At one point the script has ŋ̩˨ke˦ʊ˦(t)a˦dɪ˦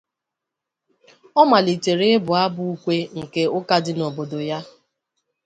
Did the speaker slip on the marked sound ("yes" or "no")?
yes